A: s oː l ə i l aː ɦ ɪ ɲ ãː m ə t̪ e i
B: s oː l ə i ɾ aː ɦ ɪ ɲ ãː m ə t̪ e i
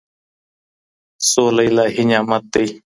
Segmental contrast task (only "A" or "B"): A